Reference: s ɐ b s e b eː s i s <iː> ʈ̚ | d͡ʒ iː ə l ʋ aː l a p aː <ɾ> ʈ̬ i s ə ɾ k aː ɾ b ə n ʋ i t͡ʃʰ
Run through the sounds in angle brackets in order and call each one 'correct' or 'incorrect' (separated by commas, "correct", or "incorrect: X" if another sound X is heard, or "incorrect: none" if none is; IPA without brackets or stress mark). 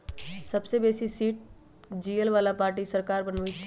correct, correct